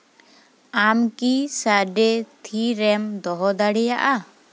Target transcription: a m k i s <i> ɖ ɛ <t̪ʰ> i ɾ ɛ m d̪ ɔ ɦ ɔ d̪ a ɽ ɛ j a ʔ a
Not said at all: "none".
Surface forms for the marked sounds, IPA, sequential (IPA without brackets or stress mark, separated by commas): a, t̪ʰ